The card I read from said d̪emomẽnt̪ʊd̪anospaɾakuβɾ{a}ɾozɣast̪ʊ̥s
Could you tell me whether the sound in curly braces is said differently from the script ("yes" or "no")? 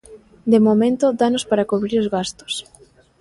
yes